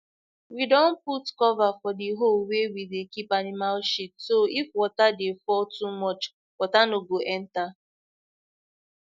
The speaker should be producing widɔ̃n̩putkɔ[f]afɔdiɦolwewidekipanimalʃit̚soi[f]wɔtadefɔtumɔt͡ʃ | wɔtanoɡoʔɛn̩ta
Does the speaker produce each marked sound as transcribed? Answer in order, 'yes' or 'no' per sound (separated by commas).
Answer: no, yes